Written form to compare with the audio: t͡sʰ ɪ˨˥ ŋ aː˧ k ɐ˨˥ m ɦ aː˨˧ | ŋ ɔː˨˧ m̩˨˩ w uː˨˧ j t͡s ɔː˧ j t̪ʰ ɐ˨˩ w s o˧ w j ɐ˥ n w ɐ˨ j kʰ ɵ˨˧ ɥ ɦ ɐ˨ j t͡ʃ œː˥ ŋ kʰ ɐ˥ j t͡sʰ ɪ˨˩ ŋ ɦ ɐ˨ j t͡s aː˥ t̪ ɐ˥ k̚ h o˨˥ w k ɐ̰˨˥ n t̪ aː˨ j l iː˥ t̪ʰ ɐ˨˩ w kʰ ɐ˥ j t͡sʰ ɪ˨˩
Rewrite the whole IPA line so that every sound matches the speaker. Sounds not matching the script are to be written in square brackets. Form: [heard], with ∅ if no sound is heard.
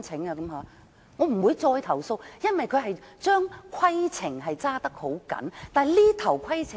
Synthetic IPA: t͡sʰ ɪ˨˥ ŋ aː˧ k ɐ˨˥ m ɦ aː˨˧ | ŋ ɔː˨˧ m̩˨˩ w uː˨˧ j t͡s ɔː˧ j t̪ʰ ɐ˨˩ w s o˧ w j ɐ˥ n w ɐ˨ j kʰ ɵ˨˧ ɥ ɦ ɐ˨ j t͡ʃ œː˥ ŋ kʰ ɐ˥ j t͡sʰ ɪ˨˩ ŋ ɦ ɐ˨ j t͡s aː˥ t̪ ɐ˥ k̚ h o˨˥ w k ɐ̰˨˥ n t̪ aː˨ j l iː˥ t̪ʰ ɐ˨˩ w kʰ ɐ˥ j t͡sʰ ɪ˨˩